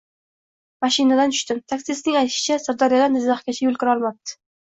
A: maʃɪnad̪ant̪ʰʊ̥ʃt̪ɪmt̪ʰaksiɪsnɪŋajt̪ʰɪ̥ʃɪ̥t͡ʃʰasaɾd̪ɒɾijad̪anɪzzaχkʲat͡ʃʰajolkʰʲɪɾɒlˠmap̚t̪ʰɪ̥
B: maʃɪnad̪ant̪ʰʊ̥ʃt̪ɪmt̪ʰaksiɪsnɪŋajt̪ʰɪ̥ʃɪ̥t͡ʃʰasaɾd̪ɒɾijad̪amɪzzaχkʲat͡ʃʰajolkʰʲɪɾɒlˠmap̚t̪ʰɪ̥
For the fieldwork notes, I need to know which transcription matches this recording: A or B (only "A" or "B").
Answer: A